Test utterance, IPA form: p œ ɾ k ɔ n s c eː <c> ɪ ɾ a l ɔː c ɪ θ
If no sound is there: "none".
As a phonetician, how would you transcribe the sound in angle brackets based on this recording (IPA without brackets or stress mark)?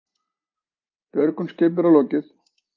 p